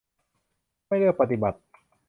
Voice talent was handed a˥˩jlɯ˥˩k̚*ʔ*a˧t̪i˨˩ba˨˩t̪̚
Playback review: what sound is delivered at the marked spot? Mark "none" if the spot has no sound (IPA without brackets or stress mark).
p